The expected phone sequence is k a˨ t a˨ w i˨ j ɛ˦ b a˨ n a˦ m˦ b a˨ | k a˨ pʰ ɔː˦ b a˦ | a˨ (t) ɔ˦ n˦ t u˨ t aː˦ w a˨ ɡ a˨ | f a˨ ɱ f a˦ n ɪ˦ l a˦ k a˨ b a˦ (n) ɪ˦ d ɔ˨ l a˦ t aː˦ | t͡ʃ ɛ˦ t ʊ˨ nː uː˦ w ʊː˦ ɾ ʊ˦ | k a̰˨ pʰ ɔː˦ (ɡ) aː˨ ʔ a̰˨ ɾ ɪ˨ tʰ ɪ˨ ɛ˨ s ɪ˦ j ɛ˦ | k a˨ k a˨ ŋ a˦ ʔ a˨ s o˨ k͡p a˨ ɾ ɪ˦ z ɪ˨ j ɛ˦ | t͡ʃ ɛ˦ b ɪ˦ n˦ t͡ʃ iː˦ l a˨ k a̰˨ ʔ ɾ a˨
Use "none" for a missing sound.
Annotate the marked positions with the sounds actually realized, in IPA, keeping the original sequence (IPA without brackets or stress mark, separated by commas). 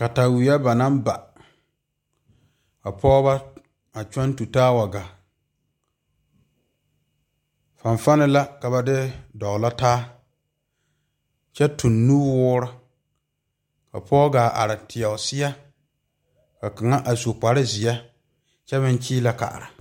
t͡ʃ, d, ɡ